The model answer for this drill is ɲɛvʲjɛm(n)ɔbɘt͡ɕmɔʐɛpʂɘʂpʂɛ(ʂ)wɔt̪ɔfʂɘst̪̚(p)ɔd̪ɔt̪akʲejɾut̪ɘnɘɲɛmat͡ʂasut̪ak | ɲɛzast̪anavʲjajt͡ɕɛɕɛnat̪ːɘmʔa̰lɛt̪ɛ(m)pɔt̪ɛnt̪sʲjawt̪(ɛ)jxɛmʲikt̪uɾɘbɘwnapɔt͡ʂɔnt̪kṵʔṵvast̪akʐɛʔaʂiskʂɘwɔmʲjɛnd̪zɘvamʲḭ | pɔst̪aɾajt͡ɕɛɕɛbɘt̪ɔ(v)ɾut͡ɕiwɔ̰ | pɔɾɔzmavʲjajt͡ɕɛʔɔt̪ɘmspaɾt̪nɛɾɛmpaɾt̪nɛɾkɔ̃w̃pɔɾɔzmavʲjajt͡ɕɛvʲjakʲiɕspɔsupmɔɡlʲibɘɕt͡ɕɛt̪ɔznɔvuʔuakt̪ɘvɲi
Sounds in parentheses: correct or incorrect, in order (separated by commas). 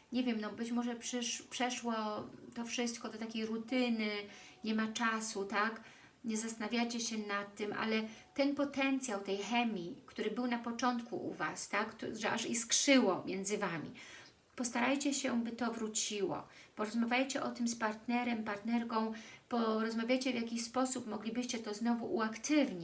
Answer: correct, correct, incorrect, incorrect, correct, correct